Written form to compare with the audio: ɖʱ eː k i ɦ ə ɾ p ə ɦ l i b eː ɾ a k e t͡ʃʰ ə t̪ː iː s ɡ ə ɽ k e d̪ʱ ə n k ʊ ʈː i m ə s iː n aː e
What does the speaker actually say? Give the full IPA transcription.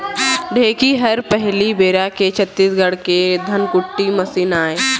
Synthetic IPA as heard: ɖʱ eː k i ɦ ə ɾ p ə ɦ l i b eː ɾ a k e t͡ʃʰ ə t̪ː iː s ɡ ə ɽ k e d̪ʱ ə n k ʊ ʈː i m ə s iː n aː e